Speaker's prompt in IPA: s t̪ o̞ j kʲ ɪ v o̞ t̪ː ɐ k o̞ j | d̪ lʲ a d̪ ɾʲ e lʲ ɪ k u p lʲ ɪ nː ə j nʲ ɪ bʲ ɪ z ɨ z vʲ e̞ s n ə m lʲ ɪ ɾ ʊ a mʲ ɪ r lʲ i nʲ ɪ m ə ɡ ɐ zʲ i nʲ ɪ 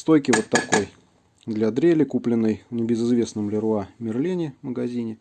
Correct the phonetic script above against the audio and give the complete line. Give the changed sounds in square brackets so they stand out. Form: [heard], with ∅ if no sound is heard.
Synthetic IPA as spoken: s t̪ o̞ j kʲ ɪ v o̞ t̪ː ɐ k o̞ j | d̪ lʲ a d̪ ɾʲ e lʲ ɪ k u p lʲ ɪ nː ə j nʲ ɪ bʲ ɪ z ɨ z vʲ e̞ s n ə m lʲ ɪ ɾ ʊ a mʲ ɪ r lʲ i nʲ ɪ m ə ɡ ɐ zʲ i nʲ ɪ

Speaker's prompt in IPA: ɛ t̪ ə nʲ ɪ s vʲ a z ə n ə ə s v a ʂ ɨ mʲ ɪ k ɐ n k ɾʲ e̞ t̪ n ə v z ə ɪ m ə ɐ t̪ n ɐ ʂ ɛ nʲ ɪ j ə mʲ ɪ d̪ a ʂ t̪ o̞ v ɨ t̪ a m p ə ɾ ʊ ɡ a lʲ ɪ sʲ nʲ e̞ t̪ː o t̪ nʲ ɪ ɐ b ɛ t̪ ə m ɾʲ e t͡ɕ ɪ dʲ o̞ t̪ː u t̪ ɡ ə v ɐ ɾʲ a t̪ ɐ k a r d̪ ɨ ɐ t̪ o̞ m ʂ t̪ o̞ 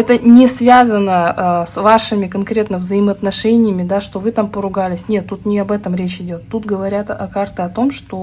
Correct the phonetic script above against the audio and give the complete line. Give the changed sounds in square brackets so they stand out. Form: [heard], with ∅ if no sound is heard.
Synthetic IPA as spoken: ɛ t̪ ə nʲ ɪ s vʲ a z ə n ə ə s v a ʂ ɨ mʲ ɪ k ɐ n k ɾʲ e̞ t̪ n ə v z ə ɪ m ə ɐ t̪ n ɐ ʂ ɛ nʲ ɪ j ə mʲ ɪ d̪ a ʂ t̪ o̞ v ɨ t̪ a m p ə ɾ ʊ ɡ a lʲ ɪ sʲ nʲ e̞ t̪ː [u] t̪ nʲ ɪ ɐ b ɛ t̪ ə m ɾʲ e t͡ɕ ɪ dʲ o̞ t̪ː u t̪ ɡ ə v ɐ ɾʲ a t̪ ɐ k a r [t̪] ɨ ɐ t̪ o̞ m ʂ t̪ o̞

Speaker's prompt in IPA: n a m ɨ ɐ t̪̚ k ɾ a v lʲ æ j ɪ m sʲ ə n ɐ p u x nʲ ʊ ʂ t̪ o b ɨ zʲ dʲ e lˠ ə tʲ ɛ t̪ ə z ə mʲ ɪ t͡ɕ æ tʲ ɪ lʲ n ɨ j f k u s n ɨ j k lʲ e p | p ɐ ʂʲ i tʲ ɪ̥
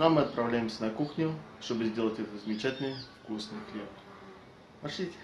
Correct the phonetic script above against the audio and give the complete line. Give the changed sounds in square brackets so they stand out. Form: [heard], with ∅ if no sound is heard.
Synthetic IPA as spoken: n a m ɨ ɐ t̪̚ [p] ɾ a v lʲ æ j ɪ m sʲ ə n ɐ [k] u x nʲ ʊ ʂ t̪ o b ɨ zʲ dʲ e lˠ ə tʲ ɛ t̪ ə z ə mʲ ɪ t͡ɕ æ tʲ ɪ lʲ n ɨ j f k u s n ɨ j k lʲ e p | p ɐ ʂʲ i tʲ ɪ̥

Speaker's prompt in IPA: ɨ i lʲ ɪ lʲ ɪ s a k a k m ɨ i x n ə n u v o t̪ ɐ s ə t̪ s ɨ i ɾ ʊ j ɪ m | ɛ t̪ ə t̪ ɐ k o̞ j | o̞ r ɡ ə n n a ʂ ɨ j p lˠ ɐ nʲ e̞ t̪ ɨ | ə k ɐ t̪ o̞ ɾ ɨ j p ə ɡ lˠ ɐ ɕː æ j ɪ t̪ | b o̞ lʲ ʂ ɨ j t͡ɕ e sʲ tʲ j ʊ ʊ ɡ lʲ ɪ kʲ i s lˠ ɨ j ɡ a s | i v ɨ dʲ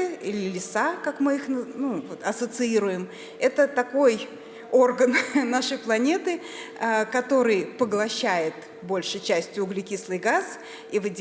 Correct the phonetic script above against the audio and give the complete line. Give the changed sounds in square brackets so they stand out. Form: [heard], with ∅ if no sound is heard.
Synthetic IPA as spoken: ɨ i lʲ ɪ lʲ ɪ s a k a k m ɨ i x n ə n u v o t̪ ɐ s ə t̪ s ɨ i ɾ ʊ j ɪ m | ɛ t̪ ə t̪ ɐ k o̞ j | o̞ r ɡ ə n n a ʂ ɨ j p lˠ ɐ nʲ e̞ t̪ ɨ | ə k ɐ t̪ o̞ ɾ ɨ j p ə ɡ lˠ ɐ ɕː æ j ɪ t̪ | b o̞ lʲ ʂ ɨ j t͡ɕ [æ] sʲ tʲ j ʊ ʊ ɡ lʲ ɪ kʲ i s lˠ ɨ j ɡ a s | i v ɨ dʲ

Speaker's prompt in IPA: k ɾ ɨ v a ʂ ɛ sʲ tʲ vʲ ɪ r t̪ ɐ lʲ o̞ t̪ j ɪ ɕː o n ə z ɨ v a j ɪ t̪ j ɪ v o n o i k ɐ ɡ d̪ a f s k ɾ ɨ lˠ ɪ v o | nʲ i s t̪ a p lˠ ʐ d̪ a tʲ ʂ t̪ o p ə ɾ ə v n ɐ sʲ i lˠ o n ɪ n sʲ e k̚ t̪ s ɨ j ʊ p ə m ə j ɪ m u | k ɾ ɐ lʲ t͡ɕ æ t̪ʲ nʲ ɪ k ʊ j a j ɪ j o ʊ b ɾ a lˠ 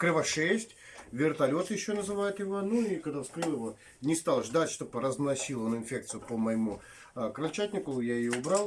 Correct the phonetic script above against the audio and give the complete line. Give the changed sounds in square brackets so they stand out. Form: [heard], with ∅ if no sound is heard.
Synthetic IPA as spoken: k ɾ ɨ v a ʂ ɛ sʲ tʲ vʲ ɪ r t̪ ɐ lʲ o̞ t̪ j ɪ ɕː o n ə z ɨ v a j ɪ t̪ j ɪ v o n [u] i k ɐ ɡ d̪ a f s k ɾ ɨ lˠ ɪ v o | nʲ [ɪ] s t̪ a [∅] lˠ ʐ d̪ a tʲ ʂ t̪ o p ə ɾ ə [z] n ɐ sʲ i lˠ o n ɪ n [fʲ] e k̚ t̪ s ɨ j ʊ p ə m ə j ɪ m u | k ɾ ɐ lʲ t͡ɕ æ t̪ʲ nʲ ɪ k ʊ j a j ɪ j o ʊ b ɾ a lˠ

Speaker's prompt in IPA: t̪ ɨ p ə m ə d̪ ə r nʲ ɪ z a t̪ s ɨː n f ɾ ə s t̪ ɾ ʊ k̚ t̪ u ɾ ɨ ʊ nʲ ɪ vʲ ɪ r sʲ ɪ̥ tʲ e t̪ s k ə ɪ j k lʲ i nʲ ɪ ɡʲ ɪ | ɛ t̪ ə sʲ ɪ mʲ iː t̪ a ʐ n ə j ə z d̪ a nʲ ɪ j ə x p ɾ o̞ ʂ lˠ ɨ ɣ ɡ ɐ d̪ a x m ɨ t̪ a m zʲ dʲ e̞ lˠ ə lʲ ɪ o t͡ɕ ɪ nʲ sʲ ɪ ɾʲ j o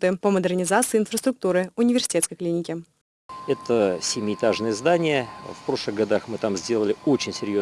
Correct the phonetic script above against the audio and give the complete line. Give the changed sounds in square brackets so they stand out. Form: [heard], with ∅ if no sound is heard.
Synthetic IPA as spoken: t̪ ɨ p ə m ə d̪ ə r nʲ ɪ z a t̪ s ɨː n f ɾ ə s t̪ ɾ ʊ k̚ t̪ u ɾ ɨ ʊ nʲ ɪ vʲ ɪ r sʲ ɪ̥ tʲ e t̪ s k ə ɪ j k lʲ i nʲ ɪ [kʲ] ɪ | ɛ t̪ ə sʲ ɪ mʲ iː t̪ a ʐ n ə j ə z d̪ a nʲ ɪ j ə [f] p ɾ o̞ ʂ lˠ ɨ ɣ ɡ ɐ d̪ a x m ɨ t̪ a m zʲ dʲ e̞ lˠ ə lʲ ɪ o t͡ɕ ɪ nʲ sʲ ɪ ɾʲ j o

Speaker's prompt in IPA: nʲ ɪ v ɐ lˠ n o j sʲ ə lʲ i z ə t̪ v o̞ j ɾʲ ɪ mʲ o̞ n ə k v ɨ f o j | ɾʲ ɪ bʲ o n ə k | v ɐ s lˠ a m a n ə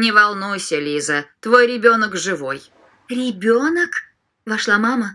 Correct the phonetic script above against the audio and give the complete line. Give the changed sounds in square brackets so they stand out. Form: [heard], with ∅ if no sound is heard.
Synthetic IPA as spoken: nʲ ɪ v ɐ lˠ n [u] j sʲ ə lʲ i z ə t̪ v o̞ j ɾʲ ɪ [bʲ] o̞ n ə k [ʐ] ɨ [v] o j | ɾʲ ɪ bʲ o n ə k | v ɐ [ʂ] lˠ a m a [m] ə

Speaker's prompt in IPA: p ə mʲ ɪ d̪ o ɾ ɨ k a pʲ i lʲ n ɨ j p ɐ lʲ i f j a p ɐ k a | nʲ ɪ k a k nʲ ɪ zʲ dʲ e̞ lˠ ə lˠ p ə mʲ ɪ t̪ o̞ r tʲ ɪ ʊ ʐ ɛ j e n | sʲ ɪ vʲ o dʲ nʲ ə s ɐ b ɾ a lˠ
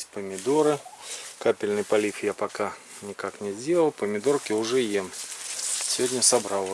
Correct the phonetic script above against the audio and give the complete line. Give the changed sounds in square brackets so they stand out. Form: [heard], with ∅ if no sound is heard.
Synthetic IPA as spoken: p ə mʲ ɪ d̪ o ɾ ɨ k a pʲ [ɪ] lʲ n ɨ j p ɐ lʲ i f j a p ɐ k a | nʲ ɪ k a k nʲ ɪ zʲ dʲ e̞ lˠ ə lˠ p ə mʲ ɪ [d̪] o̞ r [kʲ] ɪ ʊ ʐ ɛ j e [m] | sʲ ɪ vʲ o dʲ nʲ ə s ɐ b ɾ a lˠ

